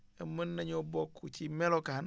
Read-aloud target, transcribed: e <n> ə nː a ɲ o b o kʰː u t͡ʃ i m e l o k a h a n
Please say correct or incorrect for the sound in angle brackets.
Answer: incorrect